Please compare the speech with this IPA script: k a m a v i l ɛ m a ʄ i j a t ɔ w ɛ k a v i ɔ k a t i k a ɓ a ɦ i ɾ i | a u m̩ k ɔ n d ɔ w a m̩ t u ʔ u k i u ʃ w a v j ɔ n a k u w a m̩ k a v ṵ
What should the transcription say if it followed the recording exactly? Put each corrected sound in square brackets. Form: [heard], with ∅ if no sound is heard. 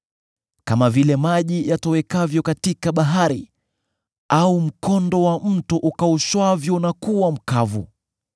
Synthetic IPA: k a m a v i l ɛ m a ʄ i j a t ɔ w ɛ k a v [j] ɔ k a t i k a ɓ a ɦ [a] ɾ i | a u m̩ k ɔ n d ɔ w a m̩ t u ʔ u k [a] u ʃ w a v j ɔ n a k u w a m̩ k a v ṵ